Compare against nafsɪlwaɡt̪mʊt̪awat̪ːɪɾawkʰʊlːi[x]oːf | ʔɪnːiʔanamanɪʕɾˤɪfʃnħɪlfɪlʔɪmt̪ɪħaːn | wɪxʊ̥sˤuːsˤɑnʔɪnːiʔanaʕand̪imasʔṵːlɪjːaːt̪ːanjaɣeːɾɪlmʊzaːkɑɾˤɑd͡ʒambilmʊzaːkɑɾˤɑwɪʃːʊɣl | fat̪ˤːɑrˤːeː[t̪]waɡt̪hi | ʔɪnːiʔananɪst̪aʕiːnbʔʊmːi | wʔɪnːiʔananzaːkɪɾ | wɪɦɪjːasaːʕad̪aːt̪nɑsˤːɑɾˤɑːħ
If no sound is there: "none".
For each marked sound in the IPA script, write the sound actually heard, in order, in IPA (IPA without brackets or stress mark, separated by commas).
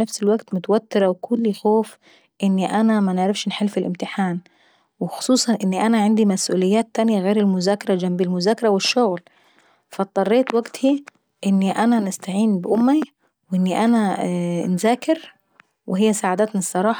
x, t̪